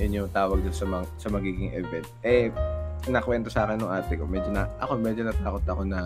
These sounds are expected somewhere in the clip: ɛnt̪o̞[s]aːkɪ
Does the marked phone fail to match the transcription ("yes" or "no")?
no